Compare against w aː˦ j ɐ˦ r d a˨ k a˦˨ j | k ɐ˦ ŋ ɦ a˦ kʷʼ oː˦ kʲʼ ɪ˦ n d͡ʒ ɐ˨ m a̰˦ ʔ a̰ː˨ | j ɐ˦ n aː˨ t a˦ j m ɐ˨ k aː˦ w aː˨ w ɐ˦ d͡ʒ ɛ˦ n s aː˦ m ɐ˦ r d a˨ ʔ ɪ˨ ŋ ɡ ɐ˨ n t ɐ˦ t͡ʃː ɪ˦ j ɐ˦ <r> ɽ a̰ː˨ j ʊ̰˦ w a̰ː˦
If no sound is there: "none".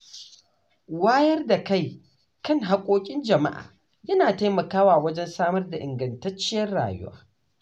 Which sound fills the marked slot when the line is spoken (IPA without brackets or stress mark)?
r